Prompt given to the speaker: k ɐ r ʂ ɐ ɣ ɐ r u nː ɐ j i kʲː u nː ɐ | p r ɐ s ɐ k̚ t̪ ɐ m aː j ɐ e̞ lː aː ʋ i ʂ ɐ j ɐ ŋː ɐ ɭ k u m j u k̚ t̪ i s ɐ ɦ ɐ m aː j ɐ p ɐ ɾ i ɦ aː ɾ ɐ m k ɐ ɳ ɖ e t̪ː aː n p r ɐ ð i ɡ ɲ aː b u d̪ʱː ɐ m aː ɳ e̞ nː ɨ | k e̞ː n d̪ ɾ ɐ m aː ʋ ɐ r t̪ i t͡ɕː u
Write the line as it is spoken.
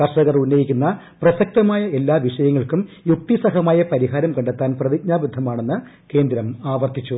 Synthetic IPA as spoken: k ɐ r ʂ ɐ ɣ ɐ r u nː ɐ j i kʲː u nː ɐ | p r ɐ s ɐ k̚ t̪ ɐ m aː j ɐ e̞ lː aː ʋ i ʂ ɐ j ɐ ŋː ɐ ɭ k u m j u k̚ t̪ i s ɐ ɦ ɐ m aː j ɐ p ɐ ɾ i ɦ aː ɾ ɐ m k ɐ ɳ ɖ e t̪ː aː n p r ɐ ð i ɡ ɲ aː b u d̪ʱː ɐ m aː ɳ e̞ nː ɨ | k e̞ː n d̪ ɾ ɐ m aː ʋ ɐ r t̪ i t͡ɕː u